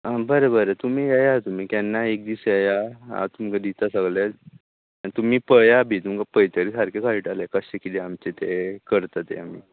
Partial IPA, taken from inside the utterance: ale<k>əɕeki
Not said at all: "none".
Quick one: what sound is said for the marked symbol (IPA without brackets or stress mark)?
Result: k